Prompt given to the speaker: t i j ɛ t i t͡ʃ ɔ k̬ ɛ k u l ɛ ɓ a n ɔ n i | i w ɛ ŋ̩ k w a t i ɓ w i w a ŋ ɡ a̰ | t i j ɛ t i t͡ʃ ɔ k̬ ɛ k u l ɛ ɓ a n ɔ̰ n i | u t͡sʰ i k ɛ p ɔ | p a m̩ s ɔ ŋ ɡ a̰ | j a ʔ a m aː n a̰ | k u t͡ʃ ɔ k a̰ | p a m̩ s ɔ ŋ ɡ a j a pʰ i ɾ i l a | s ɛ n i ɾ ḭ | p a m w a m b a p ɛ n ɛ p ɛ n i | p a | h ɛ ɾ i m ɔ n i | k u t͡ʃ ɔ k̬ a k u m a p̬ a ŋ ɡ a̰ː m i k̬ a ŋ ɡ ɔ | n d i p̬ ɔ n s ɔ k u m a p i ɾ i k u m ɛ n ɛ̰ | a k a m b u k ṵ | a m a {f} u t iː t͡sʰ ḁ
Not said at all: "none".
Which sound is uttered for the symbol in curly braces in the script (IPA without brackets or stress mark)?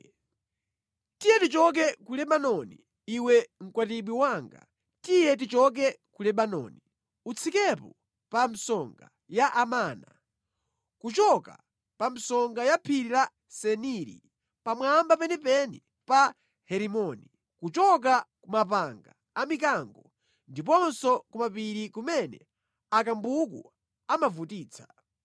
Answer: v